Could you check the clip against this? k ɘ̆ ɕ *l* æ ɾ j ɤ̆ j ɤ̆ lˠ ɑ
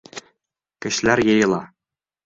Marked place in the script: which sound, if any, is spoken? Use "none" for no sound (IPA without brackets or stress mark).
l